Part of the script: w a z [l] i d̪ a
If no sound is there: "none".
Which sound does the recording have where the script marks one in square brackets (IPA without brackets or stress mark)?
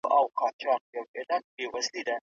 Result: l